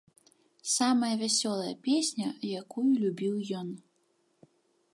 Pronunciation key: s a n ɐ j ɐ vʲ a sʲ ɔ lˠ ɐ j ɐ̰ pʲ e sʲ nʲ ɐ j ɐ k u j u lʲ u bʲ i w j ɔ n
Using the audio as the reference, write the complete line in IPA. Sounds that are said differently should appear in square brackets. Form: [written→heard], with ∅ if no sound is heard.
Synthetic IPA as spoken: s a [n→m] ɐ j ɐ vʲ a sʲ ɔ lˠ ɐ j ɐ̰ pʲ e sʲ nʲ ɐ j [ɐ→a] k u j u lʲ u bʲ i w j ɔ n